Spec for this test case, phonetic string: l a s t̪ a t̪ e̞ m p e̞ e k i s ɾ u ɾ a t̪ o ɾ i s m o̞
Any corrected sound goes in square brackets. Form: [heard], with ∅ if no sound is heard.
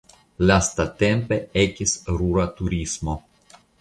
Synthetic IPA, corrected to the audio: l a s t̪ a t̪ e̞ m p e̞ e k i s ɾ u ɾ a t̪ [u] ɾ i s m o̞